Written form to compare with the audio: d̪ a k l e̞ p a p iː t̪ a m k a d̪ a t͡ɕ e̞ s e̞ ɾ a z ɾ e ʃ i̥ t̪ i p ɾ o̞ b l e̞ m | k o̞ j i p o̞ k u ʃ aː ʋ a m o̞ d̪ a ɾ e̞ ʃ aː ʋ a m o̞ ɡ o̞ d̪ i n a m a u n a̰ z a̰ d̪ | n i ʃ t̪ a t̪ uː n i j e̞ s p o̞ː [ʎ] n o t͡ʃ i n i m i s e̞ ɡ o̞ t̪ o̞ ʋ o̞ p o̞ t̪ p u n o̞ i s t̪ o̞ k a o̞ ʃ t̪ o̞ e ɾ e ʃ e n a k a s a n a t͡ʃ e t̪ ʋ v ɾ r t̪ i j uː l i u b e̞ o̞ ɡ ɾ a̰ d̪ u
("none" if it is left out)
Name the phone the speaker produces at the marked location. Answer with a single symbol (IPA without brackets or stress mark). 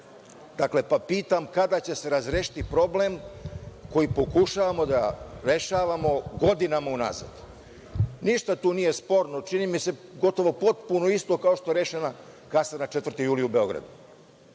ɾ